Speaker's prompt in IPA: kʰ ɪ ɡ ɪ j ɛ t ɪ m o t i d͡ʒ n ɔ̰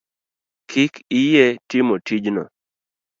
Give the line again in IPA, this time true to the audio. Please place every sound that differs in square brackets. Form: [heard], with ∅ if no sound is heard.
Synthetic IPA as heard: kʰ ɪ [k] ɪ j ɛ t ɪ m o t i d͡ʒ n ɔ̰